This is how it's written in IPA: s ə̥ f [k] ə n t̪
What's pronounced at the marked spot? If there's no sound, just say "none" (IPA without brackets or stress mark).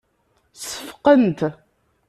q